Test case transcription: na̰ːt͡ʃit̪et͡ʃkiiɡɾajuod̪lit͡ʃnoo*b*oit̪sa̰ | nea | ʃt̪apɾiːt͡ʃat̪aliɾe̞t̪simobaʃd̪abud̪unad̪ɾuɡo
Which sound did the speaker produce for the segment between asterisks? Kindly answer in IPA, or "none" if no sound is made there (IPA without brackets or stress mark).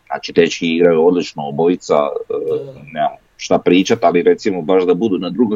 b